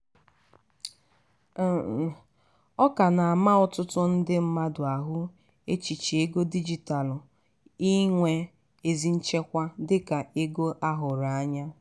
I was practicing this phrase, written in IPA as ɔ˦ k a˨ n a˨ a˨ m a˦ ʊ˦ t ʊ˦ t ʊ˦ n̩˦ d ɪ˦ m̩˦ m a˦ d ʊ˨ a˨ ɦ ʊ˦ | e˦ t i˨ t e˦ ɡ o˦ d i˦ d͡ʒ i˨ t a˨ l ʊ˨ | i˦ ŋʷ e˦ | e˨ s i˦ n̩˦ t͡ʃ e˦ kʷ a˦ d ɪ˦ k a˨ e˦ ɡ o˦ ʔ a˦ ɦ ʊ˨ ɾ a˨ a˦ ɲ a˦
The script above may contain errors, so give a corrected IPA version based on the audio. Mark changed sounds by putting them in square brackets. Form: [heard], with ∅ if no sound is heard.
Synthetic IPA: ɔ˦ k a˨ n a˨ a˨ m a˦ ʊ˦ t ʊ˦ t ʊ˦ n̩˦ d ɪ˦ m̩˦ m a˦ d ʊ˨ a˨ ɦ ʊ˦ | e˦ [t͡ʃ] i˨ [t͡ʃ] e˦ ɡ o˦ d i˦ d͡ʒ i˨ t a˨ l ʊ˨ | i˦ ŋʷ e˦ | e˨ [z] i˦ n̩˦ t͡ʃ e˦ kʷ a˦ d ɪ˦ k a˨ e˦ ɡ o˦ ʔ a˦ ɦ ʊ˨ ɾ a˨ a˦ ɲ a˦